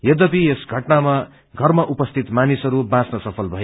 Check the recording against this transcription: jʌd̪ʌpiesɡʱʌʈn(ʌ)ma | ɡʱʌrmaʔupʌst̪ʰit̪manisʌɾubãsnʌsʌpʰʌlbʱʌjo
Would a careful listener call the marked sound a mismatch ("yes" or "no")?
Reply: yes